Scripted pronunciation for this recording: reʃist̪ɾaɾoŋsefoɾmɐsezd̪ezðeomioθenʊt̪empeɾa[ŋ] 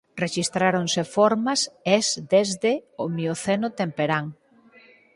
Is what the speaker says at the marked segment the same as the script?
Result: yes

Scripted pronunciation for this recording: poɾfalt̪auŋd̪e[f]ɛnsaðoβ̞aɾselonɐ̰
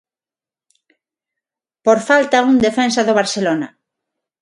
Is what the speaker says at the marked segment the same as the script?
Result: yes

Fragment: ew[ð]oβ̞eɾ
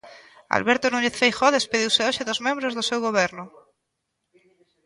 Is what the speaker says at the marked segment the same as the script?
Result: no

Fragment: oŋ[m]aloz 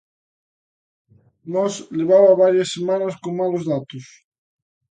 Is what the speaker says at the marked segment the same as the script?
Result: yes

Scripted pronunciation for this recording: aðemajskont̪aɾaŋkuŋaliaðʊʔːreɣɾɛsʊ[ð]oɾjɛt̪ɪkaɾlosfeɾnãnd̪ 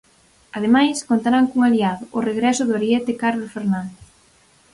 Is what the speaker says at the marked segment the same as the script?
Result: yes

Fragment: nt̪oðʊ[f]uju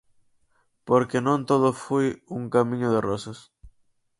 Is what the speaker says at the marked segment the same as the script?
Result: yes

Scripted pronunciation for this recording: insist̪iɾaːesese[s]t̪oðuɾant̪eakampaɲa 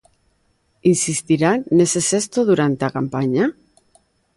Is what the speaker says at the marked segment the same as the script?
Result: yes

